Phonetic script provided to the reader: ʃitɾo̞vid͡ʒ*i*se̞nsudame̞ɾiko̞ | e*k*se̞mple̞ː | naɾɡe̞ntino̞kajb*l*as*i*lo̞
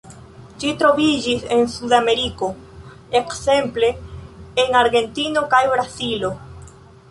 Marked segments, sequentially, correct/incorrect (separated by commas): correct, correct, incorrect, correct